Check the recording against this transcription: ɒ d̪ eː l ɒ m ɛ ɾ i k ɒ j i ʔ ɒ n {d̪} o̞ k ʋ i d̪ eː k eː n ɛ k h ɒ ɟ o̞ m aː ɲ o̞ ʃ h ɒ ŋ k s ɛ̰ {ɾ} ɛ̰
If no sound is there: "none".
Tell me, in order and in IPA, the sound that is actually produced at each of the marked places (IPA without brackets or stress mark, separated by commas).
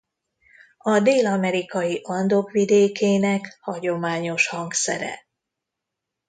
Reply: d̪, ɾ